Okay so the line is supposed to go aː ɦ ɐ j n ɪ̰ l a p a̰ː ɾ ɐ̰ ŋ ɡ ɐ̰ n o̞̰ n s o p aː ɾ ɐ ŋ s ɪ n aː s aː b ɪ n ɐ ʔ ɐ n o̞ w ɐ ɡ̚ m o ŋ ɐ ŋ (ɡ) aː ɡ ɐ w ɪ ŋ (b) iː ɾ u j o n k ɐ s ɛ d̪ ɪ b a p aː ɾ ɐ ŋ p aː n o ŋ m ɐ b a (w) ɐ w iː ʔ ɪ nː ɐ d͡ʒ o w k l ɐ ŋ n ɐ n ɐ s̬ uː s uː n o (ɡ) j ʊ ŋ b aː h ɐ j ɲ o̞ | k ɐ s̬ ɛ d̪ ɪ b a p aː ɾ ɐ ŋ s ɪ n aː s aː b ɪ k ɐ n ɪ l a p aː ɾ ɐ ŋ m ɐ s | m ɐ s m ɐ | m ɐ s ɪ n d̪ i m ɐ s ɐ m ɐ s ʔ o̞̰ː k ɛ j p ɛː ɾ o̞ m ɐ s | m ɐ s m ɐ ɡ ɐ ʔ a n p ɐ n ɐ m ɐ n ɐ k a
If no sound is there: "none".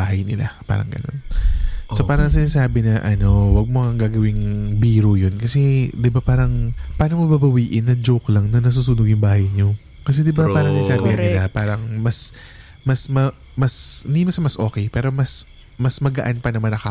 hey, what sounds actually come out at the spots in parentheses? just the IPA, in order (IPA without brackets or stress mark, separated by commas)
ɡ, b, b, ɡ